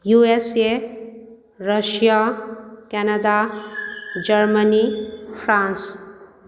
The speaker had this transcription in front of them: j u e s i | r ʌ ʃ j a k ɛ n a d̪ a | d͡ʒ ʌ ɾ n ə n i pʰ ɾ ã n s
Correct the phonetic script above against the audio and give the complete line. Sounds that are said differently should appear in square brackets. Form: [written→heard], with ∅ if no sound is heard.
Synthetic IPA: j u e s [i→e] | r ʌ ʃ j a k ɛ n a d̪ a | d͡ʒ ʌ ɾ [n→m] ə n i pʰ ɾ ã n s

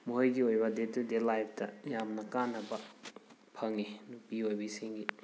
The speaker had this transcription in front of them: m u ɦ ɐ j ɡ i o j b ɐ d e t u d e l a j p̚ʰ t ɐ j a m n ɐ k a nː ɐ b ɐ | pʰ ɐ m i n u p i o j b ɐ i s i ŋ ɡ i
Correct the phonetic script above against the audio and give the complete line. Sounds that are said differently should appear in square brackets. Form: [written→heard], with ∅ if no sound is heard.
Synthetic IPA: m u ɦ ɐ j ɡ i o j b ɐ d e t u d e l a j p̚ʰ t ɐ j a m n ɐ k a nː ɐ b ɐ | pʰ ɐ [m→ŋ] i n u p i o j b ɐ i s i ŋ ɡ i

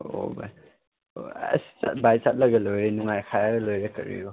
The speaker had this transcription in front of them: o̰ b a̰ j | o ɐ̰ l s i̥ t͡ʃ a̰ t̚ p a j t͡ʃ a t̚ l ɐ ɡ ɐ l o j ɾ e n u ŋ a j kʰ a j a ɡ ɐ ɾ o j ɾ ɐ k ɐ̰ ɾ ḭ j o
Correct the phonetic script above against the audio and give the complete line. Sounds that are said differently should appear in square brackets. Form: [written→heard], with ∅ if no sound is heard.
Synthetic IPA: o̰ b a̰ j | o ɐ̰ [l→∅] s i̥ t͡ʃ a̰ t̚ [p→b] a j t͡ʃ a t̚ l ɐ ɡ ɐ l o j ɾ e n u ŋ a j kʰ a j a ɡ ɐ [ɾ→l] o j ɾ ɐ k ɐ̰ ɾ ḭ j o

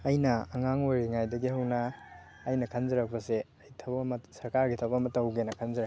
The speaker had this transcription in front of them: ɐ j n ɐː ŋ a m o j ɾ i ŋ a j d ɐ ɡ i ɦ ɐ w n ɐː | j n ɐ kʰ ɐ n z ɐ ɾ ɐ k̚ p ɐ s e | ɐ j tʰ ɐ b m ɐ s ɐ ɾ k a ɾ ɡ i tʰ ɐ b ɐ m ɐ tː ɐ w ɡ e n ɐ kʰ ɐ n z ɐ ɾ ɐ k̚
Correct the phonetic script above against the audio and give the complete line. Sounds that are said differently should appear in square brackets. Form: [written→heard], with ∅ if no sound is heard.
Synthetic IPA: ɐ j n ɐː ŋ a [m→ŋ] o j ɾ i ŋ a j d ɐ ɡ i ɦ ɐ w n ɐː | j n ɐ kʰ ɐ n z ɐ ɾ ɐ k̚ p ɐ s e | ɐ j tʰ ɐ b m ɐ s ɐ ɾ k a ɾ ɡ i tʰ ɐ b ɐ m ɐ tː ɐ w ɡ e n ɐ kʰ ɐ n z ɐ ɾ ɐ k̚

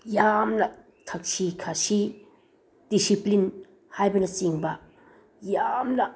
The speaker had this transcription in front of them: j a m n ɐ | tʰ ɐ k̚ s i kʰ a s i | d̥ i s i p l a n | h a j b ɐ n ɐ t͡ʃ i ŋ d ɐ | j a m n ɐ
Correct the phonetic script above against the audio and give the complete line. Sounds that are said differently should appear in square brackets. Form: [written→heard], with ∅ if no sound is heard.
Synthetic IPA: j a m n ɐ | tʰ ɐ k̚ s i kʰ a s i | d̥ i s i p l [a→i] n | h a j b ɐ n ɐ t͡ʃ i ŋ [d→b] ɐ | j a m n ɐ

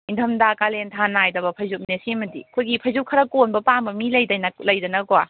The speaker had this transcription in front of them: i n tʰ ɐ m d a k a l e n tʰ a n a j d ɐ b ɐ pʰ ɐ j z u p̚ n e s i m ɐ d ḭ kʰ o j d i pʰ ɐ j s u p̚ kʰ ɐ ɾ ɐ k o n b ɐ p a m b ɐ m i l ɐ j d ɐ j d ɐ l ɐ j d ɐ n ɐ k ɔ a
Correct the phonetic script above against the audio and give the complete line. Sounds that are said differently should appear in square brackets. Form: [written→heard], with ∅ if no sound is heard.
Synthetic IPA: i n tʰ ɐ m d a k a l e n tʰ a n a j d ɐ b ɐ pʰ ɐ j z u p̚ n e s i m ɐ d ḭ kʰ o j [d→ɡ] i pʰ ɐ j [s→z] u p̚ kʰ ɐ ɾ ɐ k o n b ɐ p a m b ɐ m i l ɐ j d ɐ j [d→n] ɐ l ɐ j d ɐ n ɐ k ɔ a

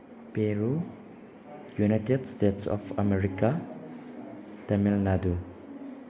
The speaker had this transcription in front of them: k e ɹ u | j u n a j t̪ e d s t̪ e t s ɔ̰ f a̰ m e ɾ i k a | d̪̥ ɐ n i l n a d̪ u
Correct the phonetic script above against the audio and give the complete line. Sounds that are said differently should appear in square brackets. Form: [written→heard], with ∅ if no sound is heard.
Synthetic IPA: [k→p] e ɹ u | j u n a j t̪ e d s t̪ e t s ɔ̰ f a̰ m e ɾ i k a | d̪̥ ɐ [n→m] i l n a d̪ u

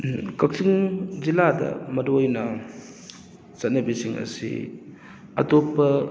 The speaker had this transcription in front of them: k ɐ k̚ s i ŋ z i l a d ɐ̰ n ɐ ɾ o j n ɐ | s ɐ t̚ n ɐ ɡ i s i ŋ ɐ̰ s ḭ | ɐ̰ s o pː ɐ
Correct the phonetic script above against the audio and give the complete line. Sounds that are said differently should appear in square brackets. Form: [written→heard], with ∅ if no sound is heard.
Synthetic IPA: k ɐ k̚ s i ŋ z i l a d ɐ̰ [n→m] ɐ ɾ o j n ɐ | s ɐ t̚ n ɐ [ɡ→b] i s i ŋ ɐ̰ s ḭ | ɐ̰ [s→t] o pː ɐ

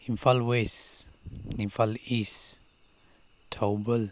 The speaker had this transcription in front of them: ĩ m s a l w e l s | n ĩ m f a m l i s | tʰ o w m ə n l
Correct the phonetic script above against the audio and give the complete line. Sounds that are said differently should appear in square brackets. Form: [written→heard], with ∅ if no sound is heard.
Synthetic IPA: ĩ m [s→f] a l w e [l→∅] s | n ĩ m f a [m→∅] l i s | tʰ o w [m→b] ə [n→∅] l

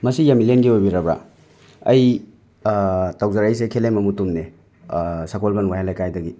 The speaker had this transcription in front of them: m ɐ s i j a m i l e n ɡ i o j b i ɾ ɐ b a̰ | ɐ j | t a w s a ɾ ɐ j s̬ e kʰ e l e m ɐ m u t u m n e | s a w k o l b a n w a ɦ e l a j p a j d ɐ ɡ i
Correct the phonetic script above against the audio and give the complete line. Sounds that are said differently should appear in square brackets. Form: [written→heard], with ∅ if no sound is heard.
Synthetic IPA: m ɐ s i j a m i l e n ɡ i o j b i ɾ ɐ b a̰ | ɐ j | t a w [s→z] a ɾ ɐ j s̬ e kʰ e l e m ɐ m u t u m n e | s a [w→∅] k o l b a n w a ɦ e l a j [p→k] a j d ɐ ɡ i

